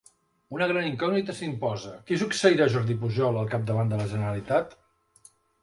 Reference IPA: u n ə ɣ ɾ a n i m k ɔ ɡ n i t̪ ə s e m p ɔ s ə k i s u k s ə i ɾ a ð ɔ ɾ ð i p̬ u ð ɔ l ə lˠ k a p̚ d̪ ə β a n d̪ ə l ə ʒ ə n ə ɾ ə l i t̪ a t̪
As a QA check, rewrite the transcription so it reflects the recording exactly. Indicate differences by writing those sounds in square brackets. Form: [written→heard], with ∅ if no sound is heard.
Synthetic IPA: u n ə ɣ ɾ a n i [m→ŋ] k ɔ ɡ n i t̪ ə s [e→i] m p ɔ [s→z] ə k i s u k s ə i ɾ a [ð→ʒ] ɔ ɾ ð i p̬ u [ð→ʒ] ɔ l ə lˠ k a p̚ d̪ ə β a n d̪ ə l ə ʒ ə n ə ɾ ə l i t̪ a t̪